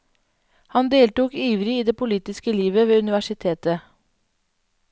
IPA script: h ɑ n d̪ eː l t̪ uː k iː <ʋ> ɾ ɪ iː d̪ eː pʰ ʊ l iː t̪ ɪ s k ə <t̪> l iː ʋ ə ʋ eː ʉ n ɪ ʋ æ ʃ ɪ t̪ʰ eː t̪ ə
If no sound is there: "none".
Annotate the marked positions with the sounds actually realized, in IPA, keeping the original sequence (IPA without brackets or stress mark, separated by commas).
ʋ, none